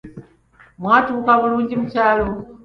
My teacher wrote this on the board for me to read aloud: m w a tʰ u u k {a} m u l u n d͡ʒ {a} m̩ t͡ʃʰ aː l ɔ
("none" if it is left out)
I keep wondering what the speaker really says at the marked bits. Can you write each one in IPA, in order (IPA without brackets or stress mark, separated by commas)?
a, i